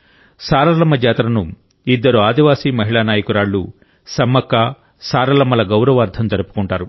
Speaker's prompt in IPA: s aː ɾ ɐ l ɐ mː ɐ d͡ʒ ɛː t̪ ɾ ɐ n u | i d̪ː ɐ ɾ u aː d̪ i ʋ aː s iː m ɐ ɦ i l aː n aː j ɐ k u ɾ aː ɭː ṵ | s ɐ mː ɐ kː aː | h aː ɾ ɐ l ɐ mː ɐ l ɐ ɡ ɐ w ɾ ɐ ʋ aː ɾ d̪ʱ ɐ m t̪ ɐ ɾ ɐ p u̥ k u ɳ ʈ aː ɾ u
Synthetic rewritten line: s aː ɾ ɐ l ɐ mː ɐ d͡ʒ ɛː t̪ ɾ ɐ n u | i d̪ː ɐ ɾ u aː d̪ i ʋ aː s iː m ɐ ɦ i ɭ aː n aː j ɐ k u ɾ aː ɭː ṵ | s ɐ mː ɐ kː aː | s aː ɾ ɐ l ɐ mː ɐ l ɐ ɡ ɐ w ɾ ɐ ʋ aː ɾ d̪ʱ ɐ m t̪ ɐ ɾ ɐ p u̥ k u ɳ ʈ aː ɾ u